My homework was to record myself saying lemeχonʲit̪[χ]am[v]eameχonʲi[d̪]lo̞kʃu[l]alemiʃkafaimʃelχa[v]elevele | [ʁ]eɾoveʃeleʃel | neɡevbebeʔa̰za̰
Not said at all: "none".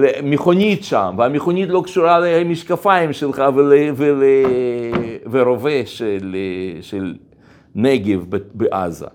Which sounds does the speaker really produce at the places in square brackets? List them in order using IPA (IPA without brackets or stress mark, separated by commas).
ʃ, v, t̪, ɾ, v, v